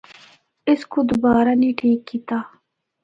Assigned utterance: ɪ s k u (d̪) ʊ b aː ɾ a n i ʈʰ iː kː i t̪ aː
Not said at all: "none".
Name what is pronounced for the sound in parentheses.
d̪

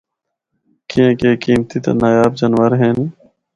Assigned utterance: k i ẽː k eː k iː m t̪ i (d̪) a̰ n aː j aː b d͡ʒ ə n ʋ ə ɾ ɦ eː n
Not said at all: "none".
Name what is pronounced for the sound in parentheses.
t̪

